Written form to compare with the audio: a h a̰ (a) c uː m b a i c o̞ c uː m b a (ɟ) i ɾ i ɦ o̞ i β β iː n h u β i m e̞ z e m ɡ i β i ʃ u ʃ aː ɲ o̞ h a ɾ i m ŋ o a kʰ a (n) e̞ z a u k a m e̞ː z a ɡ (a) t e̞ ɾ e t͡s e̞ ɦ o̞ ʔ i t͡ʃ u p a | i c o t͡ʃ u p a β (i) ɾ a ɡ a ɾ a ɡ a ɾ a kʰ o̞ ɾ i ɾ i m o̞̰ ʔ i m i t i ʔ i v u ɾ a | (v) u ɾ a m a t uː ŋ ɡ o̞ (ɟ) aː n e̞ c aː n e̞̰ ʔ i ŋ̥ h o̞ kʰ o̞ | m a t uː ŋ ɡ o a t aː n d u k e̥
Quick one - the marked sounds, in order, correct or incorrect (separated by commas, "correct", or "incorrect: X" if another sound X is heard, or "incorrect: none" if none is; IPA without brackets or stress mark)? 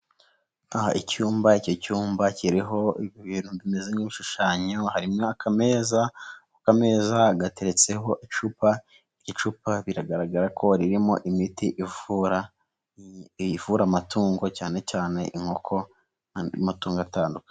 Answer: incorrect: i, incorrect: c, incorrect: m, correct, correct, correct, incorrect: c